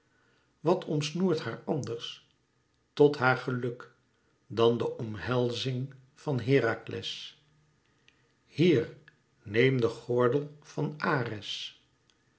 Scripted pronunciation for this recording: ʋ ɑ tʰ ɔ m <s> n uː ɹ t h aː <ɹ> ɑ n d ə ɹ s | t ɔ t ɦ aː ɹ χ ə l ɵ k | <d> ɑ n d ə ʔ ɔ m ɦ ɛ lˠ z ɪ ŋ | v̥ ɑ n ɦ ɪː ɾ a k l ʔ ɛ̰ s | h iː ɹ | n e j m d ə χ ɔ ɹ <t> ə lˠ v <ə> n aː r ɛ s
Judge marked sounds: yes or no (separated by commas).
yes, yes, yes, no, no